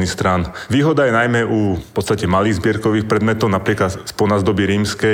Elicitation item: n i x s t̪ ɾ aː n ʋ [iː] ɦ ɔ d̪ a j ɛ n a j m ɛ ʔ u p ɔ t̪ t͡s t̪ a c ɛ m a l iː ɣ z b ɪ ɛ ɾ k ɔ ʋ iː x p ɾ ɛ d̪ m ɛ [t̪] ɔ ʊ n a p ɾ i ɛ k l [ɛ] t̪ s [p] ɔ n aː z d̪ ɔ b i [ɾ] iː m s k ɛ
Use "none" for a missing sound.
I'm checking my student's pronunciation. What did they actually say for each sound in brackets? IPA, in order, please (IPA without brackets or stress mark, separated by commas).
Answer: iː, t̪, a, p, ɾ